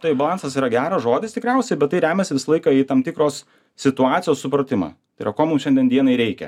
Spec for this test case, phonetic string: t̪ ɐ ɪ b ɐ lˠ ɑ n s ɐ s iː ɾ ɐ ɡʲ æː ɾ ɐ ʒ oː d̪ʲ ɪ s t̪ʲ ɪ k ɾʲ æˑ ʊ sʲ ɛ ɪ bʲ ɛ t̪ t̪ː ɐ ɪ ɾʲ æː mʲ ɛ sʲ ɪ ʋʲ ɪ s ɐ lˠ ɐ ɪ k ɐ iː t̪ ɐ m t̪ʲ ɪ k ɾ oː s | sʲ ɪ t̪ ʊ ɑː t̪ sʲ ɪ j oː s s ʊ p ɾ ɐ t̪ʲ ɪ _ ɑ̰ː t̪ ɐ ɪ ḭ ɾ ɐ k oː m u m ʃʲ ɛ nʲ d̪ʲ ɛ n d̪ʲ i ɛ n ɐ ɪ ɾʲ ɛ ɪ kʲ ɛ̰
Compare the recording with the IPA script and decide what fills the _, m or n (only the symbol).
m